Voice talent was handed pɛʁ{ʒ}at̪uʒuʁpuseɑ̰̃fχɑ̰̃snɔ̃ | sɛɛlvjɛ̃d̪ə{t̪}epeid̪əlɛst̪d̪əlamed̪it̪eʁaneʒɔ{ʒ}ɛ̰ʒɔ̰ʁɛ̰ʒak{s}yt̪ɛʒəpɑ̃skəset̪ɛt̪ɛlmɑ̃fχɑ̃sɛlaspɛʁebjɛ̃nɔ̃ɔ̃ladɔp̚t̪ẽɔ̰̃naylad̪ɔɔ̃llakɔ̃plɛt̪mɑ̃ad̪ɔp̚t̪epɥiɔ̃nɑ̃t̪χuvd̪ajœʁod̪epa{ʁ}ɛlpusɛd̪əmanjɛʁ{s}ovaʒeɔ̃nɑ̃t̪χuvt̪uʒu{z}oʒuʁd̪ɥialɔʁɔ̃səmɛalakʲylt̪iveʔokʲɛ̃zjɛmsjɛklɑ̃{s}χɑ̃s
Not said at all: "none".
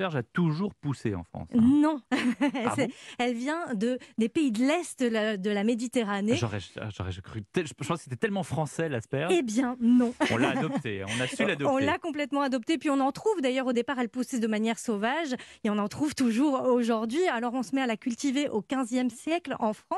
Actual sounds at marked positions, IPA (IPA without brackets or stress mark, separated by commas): ʒ, d̪, ʁ, χ, ʁ, s, ʁ, f